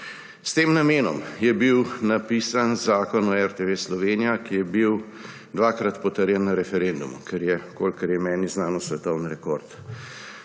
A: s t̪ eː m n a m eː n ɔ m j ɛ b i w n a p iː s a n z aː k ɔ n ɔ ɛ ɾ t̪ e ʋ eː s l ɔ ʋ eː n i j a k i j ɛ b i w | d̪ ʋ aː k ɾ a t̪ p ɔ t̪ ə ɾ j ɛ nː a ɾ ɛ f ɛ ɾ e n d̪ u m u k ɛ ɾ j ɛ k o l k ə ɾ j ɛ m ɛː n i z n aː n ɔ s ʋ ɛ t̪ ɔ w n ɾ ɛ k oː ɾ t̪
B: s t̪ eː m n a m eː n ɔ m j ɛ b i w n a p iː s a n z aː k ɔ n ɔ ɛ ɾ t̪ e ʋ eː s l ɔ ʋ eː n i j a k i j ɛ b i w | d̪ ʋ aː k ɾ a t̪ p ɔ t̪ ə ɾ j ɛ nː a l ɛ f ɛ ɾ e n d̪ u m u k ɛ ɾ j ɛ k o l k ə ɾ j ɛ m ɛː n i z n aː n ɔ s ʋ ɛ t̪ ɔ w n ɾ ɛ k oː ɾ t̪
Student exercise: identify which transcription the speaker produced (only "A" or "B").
A